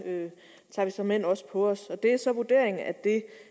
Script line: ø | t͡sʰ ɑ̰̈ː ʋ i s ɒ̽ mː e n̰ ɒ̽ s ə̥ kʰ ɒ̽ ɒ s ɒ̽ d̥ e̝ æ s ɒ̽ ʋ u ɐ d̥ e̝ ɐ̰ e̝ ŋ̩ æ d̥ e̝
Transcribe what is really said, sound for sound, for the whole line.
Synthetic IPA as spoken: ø | t͡sʰ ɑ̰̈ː ʋ i s ɒ̽ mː e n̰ ɒ̽ s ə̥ pʰ ɒ̽ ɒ s ɒ̽ d̥ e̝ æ s ɒ̽ ʋ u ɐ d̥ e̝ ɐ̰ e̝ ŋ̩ æ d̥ e̝